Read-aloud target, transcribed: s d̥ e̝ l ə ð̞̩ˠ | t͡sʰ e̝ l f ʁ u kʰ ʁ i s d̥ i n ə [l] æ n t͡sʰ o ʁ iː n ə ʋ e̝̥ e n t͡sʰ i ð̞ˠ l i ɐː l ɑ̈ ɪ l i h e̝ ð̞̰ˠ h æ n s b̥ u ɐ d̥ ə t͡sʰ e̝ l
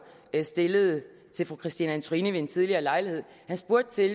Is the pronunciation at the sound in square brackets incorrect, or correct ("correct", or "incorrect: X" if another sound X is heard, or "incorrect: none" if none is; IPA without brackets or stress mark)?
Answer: incorrect: none